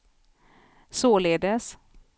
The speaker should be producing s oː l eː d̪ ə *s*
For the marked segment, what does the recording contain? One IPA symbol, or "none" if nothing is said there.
s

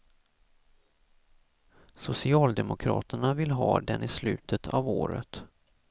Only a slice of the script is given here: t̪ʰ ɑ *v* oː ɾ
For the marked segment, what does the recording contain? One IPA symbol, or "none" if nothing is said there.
v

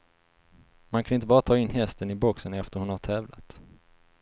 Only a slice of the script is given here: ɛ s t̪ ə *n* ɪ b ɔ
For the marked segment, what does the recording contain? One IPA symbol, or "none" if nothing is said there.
n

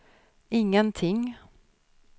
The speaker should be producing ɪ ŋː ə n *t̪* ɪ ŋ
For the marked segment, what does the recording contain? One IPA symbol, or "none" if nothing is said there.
t̪ʰ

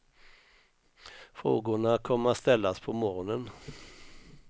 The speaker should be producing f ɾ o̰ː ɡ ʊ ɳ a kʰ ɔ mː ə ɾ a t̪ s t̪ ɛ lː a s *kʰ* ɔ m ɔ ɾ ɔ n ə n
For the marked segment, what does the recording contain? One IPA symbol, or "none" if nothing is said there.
pʰ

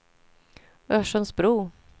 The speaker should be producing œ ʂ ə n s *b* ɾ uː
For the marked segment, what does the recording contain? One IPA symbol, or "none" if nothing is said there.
b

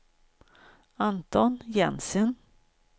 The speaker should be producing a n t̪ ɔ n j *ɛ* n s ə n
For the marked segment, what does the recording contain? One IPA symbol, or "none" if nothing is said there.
ɛ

